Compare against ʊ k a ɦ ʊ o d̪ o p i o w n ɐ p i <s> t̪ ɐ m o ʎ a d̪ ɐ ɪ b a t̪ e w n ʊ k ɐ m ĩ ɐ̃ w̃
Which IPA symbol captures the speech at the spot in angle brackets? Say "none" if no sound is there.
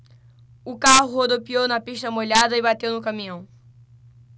ʃ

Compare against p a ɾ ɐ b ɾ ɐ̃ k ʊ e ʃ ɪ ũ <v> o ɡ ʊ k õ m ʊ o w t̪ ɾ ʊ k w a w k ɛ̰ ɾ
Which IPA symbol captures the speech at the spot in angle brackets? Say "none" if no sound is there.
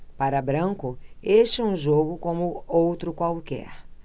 ʒ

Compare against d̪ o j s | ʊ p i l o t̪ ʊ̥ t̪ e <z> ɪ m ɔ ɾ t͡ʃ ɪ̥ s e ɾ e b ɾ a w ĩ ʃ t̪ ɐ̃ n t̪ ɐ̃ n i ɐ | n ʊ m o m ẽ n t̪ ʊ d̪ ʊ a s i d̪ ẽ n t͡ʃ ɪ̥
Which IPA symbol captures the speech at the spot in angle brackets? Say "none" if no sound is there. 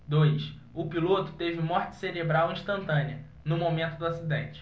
v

